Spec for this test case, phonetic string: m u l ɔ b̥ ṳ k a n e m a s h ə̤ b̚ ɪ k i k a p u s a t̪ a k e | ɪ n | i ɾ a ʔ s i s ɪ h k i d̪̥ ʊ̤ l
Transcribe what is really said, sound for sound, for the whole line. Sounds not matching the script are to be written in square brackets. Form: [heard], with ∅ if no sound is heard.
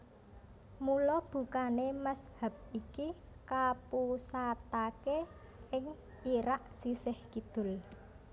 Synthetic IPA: m u l ɔ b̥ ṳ k a n e m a s h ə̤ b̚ [i] k i k a p u s a t̪ a k e | ɪ [ŋ] | i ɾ a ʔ s i s ɪ h k i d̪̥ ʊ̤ l